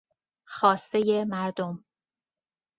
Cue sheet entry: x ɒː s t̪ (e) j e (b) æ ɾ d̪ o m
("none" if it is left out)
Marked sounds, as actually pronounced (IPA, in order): e, m

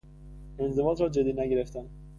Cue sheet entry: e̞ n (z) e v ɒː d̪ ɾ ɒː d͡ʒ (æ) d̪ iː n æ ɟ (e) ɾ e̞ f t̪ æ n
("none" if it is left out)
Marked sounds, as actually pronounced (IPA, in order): z, e, e

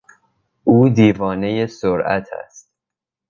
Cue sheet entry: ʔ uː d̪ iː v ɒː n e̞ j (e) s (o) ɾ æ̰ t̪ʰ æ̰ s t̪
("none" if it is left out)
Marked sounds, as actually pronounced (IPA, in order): e, o

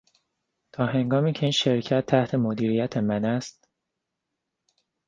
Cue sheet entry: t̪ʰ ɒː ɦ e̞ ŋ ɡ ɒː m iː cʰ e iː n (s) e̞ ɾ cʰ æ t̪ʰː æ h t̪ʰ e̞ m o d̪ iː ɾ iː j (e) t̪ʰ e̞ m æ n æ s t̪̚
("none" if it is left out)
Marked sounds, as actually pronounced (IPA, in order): ʃ, æ

